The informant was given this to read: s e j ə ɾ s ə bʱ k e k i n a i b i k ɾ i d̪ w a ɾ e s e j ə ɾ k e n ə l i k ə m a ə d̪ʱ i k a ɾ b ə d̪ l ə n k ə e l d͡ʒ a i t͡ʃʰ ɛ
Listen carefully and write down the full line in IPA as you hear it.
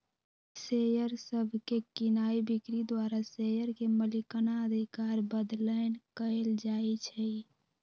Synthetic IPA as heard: s e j ə ɾ s ə bʱ k e k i n a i b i k ɾ i d̪ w a ɾ a s e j ə ɾ k e m ə l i k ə n a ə d̪ʱ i k a ɾ b ə d̪ l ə n k ə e l d͡ʒ a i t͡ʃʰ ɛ